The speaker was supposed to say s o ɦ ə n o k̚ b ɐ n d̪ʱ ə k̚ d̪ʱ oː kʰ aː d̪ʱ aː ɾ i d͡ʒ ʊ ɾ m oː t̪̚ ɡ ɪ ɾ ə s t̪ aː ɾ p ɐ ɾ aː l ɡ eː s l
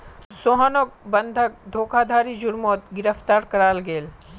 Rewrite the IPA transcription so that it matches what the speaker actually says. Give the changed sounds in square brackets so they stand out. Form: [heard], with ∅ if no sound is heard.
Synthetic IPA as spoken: s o ɦ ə n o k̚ b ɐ n d̪ʱ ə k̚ d̪ʱ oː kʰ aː d̪ʱ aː ɾ i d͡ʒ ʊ ɾ m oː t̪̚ ɡ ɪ ɾ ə [f] t̪ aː ɾ [k] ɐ ɾ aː l ɡ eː [∅] l